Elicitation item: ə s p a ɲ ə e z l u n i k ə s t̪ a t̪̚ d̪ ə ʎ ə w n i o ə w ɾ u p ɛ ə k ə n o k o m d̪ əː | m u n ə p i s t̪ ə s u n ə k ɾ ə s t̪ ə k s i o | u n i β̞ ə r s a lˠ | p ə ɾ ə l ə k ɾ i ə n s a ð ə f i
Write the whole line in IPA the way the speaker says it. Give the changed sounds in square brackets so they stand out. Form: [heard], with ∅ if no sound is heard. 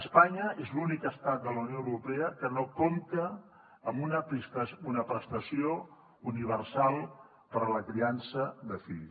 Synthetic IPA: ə s p a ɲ ə e z l u n i k ə s t̪ a t̪̚ d̪ ə [l] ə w n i o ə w ɾ u p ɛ ə k ə n o k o m [t̪] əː | m u n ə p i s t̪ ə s u n ə [p] ɾ ə s t̪ ə [∅] s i o | u n i β̞ ə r s a lˠ | p ə ɾ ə l ə k ɾ i [a] n s [ə] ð ə f i